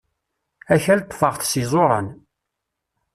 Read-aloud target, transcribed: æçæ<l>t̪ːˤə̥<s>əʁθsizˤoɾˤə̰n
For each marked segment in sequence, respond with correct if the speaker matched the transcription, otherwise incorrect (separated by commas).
correct, incorrect